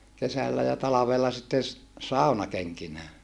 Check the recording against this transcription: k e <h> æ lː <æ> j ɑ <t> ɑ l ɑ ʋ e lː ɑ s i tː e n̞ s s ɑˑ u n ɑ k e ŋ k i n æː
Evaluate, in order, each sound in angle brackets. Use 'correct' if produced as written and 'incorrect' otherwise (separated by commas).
incorrect, correct, correct